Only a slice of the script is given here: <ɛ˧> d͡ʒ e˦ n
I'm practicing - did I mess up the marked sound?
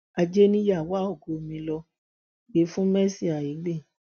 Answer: yes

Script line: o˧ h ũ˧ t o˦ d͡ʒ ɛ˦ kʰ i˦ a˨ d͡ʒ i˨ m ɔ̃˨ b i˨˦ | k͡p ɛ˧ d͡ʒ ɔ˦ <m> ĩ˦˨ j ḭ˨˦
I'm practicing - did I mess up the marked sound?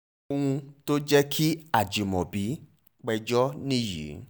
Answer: yes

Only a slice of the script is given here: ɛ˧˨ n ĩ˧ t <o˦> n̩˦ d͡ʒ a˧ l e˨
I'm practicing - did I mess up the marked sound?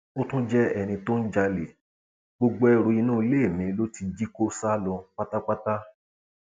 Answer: no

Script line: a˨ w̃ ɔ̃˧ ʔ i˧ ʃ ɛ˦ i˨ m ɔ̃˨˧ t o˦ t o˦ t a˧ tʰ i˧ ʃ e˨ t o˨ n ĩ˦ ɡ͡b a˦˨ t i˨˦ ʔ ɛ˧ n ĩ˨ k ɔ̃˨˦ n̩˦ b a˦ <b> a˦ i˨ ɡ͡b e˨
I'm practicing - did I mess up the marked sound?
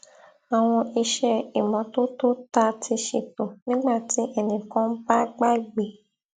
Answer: yes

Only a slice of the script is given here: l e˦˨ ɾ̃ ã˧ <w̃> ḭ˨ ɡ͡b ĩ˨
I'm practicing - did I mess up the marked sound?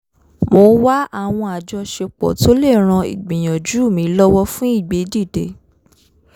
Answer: yes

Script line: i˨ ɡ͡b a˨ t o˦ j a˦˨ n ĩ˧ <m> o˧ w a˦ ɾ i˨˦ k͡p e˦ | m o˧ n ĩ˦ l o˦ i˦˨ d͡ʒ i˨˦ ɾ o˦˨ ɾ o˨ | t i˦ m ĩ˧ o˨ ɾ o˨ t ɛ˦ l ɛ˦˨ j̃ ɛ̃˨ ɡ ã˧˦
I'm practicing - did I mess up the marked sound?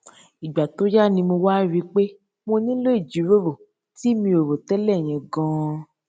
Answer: no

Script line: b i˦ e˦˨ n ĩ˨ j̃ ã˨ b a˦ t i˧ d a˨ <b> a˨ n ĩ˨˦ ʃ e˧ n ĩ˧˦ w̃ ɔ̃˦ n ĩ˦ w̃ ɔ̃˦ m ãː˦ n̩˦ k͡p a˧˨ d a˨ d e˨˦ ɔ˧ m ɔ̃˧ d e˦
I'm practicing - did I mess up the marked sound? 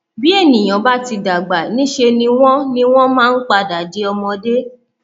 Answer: yes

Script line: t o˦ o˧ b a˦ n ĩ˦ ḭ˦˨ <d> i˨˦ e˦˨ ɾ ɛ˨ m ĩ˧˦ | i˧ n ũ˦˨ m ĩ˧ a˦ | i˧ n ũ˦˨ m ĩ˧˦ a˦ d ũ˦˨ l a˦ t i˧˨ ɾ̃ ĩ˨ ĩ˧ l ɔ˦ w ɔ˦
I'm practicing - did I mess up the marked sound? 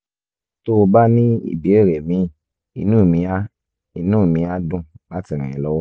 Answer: yes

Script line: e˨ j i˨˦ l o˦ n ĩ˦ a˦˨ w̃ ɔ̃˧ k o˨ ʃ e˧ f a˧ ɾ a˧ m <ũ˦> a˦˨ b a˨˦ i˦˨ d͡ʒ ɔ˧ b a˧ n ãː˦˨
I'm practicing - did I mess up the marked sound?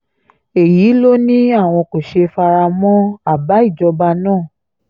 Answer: yes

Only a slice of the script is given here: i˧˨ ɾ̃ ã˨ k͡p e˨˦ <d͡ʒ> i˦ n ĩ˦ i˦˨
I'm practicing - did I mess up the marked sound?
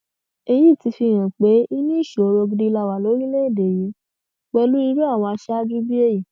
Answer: yes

